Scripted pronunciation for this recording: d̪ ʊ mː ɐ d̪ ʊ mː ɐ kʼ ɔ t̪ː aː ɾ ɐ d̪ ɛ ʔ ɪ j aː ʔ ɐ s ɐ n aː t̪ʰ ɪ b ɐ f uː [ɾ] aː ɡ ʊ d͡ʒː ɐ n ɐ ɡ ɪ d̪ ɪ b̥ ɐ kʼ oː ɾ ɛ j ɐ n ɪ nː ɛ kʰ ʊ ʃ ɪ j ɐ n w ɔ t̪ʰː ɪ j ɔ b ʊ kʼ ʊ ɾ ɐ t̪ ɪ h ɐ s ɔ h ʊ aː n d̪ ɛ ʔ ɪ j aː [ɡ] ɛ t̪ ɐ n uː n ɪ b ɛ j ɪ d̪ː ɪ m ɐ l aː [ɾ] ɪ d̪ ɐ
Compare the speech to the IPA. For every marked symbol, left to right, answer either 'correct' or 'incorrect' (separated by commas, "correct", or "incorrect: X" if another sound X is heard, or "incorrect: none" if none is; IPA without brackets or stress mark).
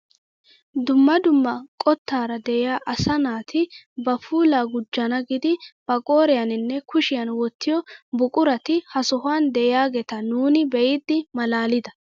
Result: incorrect: l, correct, incorrect: l